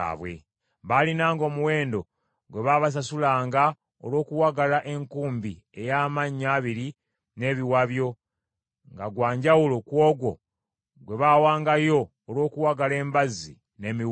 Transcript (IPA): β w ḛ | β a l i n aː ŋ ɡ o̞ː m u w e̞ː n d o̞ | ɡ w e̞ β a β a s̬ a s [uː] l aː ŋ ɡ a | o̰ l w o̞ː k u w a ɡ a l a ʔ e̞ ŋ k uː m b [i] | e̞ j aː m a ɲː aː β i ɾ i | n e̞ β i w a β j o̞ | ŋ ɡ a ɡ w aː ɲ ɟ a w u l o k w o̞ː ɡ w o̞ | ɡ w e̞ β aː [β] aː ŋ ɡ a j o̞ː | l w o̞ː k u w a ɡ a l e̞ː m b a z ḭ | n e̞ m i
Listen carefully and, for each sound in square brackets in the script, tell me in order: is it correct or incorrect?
incorrect, correct, incorrect

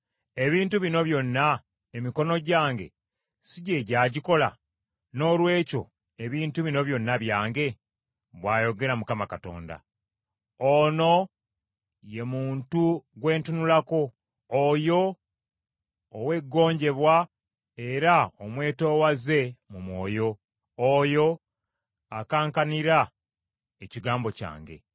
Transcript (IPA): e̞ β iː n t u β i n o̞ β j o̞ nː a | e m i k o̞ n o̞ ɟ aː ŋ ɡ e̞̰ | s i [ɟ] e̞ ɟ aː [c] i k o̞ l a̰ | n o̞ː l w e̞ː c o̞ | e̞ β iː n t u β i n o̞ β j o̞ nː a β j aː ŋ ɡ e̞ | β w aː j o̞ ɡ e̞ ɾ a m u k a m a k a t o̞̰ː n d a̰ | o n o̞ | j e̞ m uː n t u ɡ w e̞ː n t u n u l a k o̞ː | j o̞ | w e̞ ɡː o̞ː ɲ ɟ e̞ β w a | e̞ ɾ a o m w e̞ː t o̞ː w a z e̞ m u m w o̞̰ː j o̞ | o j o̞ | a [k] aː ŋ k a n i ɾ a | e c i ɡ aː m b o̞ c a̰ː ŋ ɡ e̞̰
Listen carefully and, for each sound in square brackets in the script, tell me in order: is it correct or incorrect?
correct, incorrect, correct

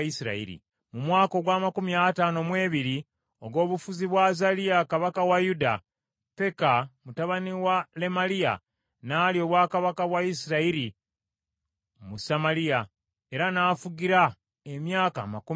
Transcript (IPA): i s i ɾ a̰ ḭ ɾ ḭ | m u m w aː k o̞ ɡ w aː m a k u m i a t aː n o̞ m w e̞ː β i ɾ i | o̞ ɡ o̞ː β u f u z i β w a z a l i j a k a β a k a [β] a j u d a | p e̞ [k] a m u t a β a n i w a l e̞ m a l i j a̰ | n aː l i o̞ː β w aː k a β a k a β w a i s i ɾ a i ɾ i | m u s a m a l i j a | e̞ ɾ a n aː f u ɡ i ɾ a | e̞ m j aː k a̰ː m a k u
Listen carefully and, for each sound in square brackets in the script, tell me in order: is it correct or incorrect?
incorrect, correct

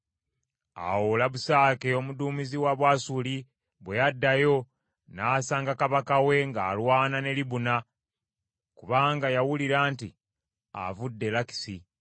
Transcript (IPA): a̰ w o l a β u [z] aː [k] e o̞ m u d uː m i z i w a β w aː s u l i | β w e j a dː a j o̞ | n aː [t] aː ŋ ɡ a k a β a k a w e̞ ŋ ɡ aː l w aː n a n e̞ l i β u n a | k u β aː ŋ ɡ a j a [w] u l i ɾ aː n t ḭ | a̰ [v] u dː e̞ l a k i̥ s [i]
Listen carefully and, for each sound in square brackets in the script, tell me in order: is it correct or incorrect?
incorrect, correct, incorrect, correct, correct, correct

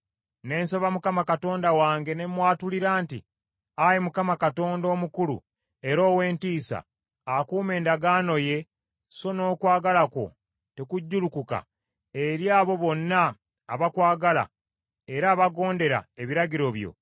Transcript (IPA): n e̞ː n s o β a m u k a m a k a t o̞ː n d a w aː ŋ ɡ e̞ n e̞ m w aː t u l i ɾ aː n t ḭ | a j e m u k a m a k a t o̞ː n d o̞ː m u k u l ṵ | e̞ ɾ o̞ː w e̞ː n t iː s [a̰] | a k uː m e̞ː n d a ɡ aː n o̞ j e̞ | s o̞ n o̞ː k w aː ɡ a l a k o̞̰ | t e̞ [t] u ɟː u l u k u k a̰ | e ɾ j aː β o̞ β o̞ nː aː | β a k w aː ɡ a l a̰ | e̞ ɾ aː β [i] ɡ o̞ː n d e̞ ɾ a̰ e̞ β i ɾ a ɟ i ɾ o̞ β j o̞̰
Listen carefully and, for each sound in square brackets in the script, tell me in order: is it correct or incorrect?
correct, incorrect, incorrect

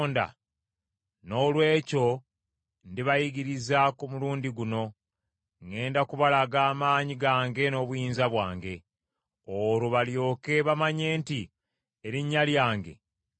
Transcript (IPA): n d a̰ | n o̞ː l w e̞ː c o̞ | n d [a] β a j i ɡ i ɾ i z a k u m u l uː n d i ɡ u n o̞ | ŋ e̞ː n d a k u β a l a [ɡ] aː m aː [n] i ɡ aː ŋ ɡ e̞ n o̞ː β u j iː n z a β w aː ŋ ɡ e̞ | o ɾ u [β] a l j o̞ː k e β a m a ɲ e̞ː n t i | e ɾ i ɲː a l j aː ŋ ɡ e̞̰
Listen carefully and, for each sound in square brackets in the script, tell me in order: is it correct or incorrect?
incorrect, correct, incorrect, correct

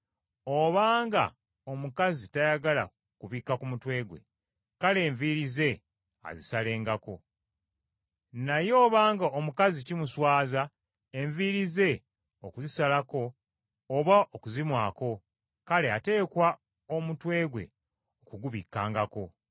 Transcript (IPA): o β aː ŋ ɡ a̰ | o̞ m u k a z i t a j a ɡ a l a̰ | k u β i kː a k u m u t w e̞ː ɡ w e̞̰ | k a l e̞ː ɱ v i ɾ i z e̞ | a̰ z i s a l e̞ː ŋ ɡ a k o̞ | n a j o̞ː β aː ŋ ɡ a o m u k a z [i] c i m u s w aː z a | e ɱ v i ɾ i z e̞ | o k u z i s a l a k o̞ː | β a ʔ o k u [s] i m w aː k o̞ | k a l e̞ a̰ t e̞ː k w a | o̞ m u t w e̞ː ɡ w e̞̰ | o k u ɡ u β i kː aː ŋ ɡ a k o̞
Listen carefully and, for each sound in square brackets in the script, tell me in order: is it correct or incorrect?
correct, incorrect

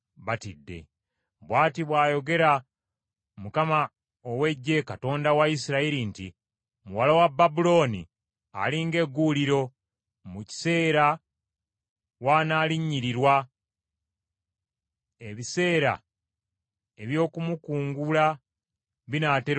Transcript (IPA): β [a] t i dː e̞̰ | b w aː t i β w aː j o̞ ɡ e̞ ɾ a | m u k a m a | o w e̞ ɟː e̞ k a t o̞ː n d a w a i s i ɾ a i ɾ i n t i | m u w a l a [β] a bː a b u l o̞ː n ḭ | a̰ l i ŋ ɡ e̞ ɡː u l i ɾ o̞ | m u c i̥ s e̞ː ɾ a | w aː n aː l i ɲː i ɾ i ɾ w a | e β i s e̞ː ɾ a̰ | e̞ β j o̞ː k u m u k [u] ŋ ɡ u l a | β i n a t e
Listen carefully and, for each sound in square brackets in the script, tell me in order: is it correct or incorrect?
correct, incorrect, incorrect

